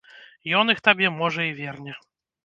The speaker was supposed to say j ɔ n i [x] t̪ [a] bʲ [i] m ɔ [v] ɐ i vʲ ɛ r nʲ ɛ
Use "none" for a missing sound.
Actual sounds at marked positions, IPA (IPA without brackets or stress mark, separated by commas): x, a, ɛ, ʐ